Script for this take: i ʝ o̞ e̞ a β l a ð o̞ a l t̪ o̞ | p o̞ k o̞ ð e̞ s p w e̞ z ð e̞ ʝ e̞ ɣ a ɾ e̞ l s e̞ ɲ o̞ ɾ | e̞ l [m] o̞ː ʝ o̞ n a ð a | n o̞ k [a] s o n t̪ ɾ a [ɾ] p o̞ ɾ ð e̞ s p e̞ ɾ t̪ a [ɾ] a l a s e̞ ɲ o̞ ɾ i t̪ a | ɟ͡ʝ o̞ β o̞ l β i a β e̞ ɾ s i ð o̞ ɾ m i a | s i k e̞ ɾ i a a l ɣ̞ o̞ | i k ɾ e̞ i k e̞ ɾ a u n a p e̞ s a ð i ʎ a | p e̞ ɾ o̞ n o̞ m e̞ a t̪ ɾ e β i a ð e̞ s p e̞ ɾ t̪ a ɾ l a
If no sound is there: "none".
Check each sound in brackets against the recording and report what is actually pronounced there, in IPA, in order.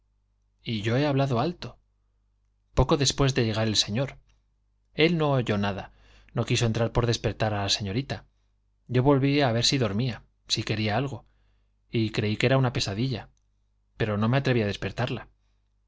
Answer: n, i, ɾ, ɾ

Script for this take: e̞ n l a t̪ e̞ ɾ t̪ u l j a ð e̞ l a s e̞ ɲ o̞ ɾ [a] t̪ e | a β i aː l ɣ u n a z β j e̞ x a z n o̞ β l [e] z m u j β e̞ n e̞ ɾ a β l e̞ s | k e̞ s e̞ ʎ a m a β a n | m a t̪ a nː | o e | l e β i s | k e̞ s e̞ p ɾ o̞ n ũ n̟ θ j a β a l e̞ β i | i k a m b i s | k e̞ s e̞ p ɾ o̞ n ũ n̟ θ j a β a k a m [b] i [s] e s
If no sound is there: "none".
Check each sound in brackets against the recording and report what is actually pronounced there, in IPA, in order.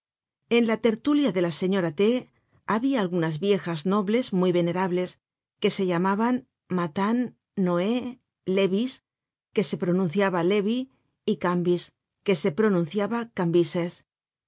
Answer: a, e, b, s

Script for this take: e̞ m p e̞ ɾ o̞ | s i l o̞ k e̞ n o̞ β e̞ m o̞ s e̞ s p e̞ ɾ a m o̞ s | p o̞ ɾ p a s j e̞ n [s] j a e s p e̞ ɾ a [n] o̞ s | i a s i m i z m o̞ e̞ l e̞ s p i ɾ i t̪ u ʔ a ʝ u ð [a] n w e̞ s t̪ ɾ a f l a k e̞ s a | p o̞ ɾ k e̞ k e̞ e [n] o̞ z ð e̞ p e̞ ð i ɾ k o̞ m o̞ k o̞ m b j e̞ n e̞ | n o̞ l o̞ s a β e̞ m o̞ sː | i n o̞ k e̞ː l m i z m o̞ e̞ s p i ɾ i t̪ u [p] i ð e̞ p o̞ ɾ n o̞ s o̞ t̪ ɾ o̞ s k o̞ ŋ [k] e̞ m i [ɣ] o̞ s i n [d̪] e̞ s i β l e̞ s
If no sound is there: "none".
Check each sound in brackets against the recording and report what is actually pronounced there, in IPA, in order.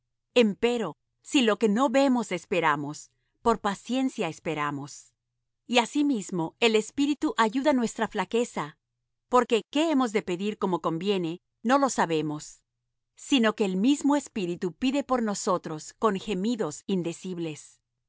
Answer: s, m, a, m, p, x, ð, d̪

